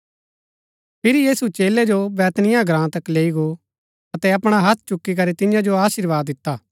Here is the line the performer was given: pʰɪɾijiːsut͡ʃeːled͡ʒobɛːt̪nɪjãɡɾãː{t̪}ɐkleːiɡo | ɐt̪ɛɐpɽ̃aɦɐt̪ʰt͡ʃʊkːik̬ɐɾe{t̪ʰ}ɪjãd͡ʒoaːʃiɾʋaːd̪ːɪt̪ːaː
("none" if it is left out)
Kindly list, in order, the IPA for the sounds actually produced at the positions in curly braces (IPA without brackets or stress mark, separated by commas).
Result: t̪, t̪